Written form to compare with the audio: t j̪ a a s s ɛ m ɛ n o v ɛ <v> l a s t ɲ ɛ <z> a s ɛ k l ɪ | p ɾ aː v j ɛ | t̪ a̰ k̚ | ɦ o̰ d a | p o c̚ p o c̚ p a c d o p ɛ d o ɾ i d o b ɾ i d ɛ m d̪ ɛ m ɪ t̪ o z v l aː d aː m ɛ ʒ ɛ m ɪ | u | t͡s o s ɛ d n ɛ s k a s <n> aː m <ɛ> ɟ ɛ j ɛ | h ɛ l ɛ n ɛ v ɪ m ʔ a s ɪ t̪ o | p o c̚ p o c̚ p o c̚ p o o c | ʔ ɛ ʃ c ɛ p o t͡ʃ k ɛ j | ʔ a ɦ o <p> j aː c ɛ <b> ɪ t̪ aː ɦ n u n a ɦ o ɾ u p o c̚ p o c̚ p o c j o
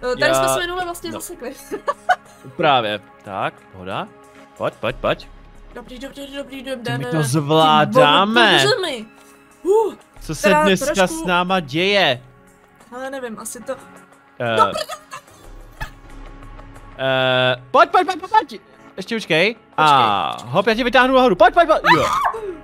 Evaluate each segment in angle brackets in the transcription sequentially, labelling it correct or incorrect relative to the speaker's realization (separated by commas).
correct, correct, correct, incorrect, correct, incorrect